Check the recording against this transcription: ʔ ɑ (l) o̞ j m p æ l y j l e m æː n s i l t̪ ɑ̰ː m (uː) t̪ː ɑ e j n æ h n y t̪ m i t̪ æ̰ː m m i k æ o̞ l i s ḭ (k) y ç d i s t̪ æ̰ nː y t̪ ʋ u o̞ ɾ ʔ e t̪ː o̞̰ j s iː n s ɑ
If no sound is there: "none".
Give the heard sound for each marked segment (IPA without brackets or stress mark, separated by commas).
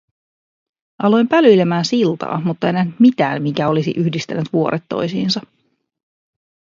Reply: l, u, ʔ